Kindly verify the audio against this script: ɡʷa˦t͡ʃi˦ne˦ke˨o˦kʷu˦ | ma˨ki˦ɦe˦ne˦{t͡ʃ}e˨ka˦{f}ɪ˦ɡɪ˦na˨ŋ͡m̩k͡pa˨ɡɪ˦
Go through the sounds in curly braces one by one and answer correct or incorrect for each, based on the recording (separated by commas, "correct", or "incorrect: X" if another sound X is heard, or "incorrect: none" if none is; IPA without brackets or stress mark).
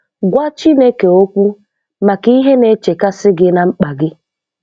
correct, incorrect: s